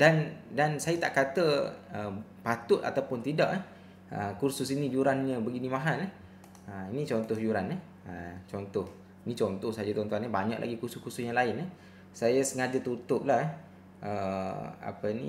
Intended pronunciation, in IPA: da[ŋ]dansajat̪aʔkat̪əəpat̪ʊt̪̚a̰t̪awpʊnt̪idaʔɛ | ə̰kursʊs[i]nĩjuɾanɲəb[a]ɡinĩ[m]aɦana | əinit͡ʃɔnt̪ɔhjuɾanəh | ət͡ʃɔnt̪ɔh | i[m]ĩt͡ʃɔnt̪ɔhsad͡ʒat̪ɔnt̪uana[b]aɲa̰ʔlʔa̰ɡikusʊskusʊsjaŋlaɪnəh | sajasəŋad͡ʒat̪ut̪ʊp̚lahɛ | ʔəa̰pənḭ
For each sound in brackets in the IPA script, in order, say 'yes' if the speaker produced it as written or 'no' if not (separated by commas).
no, yes, no, yes, no, yes